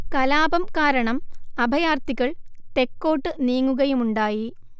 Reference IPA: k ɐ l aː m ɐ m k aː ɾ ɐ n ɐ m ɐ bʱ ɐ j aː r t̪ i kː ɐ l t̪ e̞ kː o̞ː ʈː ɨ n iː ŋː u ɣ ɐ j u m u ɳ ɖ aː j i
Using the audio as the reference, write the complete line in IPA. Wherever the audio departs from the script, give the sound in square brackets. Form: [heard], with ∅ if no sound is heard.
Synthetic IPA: k ɐ l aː [b] ɐ m k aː ɾ ɐ [ɳ] ɐ m ɐ bʱ ɐ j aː r t̪ i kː ɐ [ɭ] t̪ e̞ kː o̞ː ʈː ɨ n iː ŋː u ɣ ɐ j u m u ɳ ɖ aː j i